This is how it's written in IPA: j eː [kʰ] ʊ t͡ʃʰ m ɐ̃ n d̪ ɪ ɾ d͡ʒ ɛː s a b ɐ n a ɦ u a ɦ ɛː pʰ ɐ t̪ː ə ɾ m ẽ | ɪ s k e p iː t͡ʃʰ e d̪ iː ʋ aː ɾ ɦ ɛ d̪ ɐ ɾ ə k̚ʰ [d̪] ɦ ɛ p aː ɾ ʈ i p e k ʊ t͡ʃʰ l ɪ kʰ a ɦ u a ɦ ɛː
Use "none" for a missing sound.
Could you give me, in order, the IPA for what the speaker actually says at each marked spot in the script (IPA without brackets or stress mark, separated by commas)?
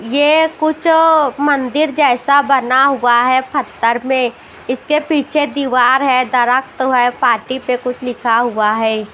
k, t̪